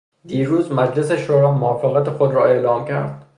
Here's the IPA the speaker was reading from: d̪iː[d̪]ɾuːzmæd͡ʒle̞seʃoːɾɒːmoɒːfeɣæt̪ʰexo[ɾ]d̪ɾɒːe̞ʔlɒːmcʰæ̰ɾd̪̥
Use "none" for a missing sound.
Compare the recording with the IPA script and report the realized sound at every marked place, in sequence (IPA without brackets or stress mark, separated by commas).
none, none